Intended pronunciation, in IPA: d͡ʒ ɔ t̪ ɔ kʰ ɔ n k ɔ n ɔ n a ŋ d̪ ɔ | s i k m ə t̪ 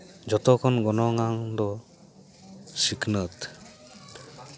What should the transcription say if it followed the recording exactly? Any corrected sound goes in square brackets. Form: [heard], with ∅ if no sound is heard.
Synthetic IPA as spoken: d͡ʒ ɔ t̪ ɔ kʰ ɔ n [ɡ] ɔ n ɔ [ŋ] a ŋ d̪ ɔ | s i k [n] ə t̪

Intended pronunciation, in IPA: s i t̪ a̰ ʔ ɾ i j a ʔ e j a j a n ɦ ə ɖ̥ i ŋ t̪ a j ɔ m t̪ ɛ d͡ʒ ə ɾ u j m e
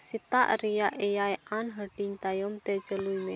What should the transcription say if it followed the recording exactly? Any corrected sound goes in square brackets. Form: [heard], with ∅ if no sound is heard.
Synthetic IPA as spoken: s i t̪ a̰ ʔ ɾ i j a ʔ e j a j a n ɦ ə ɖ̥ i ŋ t̪ a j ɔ m t̪ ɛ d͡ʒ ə [l] u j m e

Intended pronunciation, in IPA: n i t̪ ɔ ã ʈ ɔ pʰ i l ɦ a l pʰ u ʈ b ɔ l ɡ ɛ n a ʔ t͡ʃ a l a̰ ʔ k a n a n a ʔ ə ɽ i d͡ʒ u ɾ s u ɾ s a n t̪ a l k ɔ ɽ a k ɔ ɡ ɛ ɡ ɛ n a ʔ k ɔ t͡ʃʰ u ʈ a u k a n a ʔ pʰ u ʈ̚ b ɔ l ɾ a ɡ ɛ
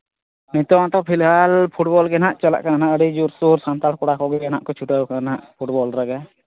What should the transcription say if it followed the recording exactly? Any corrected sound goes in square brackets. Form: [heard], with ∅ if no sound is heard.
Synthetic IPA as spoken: n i t̪ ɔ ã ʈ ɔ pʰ i l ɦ a l pʰ u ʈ b ɔ l ɡ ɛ n a ʔ t͡ʃ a l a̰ ʔ k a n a n a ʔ ə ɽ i d͡ʒ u ɾ s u ɾ s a n t̪ a l k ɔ ɽ a k ɔ ɡ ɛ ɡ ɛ n a ʔ k ɔ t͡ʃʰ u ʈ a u k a n a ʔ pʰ u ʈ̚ b ɔ l ɾ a ɡ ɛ

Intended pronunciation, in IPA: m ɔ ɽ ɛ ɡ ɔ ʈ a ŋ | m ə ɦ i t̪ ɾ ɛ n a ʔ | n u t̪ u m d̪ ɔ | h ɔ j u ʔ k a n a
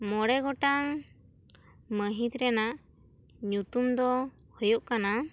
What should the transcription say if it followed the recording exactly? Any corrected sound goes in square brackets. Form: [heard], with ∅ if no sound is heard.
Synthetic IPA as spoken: m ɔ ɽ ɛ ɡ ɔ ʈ a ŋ | m ə ɦ i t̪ ɾ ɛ n a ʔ | [ɲ] u t̪ u m d̪ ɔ | h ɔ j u ʔ k a n a

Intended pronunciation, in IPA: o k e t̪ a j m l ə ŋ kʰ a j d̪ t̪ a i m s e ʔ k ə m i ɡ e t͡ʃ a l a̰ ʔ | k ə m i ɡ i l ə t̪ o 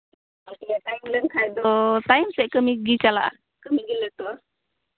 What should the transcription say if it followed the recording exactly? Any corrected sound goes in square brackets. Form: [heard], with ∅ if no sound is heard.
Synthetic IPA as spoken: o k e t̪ a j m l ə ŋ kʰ a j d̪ t̪ a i m s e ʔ k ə m i ɡ [i] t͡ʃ a l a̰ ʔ | k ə m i ɡ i l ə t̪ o

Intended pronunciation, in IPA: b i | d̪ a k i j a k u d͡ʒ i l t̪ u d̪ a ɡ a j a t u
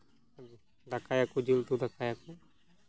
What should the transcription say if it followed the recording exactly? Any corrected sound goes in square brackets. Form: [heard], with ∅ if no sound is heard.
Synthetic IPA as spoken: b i | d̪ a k [a] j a k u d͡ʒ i l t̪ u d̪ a [k] a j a [k] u

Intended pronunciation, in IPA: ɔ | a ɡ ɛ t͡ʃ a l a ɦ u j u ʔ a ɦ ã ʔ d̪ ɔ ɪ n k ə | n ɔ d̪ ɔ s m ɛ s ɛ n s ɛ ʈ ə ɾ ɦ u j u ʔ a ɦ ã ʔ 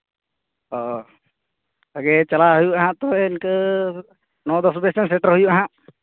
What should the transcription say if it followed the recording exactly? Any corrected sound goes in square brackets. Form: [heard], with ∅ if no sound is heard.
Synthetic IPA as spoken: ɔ | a ɡ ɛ t͡ʃ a l a ɦ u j u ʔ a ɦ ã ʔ [t̪] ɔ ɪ n k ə | n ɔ d̪ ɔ s [b] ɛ s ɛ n s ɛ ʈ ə ɾ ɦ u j u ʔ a ɦ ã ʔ

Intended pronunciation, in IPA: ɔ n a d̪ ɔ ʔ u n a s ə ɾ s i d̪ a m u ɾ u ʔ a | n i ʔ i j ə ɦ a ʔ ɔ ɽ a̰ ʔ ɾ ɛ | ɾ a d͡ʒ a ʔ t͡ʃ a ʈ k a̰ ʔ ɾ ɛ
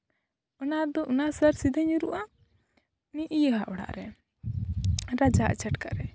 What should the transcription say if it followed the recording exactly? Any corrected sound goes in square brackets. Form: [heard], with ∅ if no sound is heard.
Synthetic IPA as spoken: ɔ n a d̪ ɔ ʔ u n a s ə ɾ s i d̪ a [ɲ] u ɾ u ʔ a | n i ʔ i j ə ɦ a ʔ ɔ ɽ a̰ ʔ ɾ ɛ | ɾ a d͡ʒ a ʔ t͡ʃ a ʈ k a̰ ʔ ɾ ɛ

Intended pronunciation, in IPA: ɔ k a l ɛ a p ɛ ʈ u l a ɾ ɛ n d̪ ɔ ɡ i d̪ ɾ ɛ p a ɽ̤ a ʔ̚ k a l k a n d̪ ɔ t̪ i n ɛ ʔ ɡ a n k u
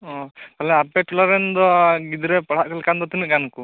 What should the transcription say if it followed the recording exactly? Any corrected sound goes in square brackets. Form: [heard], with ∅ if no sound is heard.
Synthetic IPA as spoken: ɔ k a l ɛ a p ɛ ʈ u l a ɾ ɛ n d̪ ɔ ɡ i d̪ ɾ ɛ p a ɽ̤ a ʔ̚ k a l k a n d̪ ɔ t̪ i n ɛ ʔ ɡ a n k u

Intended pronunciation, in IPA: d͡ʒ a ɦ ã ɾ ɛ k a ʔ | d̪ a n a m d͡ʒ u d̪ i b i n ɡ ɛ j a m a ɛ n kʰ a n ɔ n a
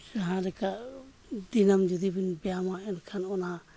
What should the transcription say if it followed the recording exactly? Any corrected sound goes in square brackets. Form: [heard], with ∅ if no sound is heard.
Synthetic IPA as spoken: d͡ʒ a ɦ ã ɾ ɛ k a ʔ | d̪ [i] n a m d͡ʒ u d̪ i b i n [b] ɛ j a m a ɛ n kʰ a n ɔ n a

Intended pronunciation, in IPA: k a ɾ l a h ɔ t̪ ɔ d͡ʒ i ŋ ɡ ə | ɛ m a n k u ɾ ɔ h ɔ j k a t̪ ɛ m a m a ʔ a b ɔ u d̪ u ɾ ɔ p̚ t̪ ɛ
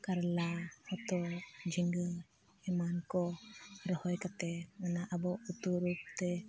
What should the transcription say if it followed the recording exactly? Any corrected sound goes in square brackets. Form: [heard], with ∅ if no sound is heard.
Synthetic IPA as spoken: k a ɾ l a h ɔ t̪ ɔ d͡ʒ i ŋ ɡ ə | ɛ m a n k [ɔ] ɾ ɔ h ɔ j k a t̪ ɛ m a [n] a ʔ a b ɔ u [t̪] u ɾ [u] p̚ t̪ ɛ

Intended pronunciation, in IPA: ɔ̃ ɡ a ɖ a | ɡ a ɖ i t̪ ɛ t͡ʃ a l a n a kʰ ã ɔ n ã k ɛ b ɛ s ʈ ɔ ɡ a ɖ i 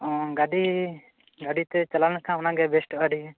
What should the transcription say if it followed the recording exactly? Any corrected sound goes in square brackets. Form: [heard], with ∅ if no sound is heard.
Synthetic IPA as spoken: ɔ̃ ɡ a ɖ [i] | ɡ a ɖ i t̪ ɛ t͡ʃ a l a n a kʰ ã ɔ n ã [ɡ] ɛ b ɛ s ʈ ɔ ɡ a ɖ i

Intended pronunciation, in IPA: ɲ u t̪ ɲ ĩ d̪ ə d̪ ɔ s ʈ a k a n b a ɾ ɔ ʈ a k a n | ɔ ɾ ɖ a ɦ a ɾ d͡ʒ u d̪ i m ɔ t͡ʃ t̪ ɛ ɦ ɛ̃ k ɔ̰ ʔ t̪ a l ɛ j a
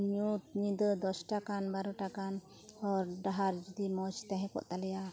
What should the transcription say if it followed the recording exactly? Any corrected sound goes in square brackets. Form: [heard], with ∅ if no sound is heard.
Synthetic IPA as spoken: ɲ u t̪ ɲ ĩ d̪ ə d̪ ɔ s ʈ a k a n b a ɾ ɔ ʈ a k a n | ɔ ɾ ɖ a ɦ a ɾ d͡ʒ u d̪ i m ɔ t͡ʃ t̪ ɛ ɦ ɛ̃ k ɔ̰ ʔ t̪ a l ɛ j a

